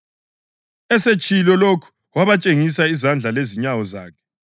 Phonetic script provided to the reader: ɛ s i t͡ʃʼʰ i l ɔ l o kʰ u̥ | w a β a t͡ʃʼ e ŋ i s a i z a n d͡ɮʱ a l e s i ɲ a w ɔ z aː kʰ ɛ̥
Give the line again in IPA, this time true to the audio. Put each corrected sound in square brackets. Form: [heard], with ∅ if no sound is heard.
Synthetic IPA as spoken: ɛ s [e] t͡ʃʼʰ i l ɔ l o kʰ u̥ | w a β a t͡ʃʼ e ŋ i s a i z a n d͡ɮʱ a l e [z] i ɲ a w ɔ z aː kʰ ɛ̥